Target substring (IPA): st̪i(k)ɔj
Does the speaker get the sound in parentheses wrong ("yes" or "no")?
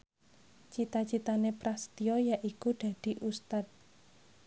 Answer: yes